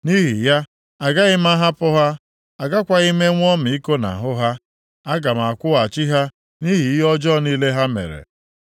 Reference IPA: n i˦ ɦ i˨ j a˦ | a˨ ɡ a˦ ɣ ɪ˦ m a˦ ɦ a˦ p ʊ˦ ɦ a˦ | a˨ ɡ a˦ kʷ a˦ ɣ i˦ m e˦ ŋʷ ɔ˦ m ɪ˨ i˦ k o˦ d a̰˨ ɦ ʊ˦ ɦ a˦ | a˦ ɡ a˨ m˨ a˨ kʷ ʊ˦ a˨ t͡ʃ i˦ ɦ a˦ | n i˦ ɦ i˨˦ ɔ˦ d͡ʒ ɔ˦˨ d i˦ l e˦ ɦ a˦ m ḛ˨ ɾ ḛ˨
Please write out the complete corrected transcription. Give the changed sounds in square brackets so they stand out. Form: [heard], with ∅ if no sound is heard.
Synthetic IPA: n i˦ ɦ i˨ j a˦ | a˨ ɡ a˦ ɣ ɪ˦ m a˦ ɦ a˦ p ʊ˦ ɦ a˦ | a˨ ɡ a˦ kʷ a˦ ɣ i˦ m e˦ ŋʷ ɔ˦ m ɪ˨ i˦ k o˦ [n] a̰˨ ɦ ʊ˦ ɦ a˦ | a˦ ɡ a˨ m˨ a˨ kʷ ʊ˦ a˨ t͡ʃ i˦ ɦ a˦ | n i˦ ɦ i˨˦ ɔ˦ d͡ʒ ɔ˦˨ [n] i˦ l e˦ ɦ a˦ m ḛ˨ ɾ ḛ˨